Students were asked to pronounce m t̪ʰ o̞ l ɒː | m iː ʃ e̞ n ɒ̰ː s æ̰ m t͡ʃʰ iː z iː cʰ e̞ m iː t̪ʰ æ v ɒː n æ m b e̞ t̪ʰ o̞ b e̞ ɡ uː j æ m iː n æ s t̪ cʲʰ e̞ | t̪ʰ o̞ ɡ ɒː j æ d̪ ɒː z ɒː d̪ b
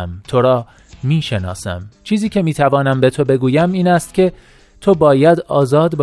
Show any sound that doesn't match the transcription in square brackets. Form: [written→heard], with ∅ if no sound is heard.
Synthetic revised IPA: m t̪ʰ o̞ [l→ɾ] ɒː | m iː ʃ e̞ n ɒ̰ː s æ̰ m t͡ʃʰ iː z iː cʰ e̞ m iː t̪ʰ æ v ɒː n æ m b e̞ t̪ʰ o̞ b e̞ ɡ uː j æ m iː n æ s t̪ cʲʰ e̞ | t̪ʰ o̞ [ɡ→b] ɒː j æ d̪ ɒː z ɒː d̪ b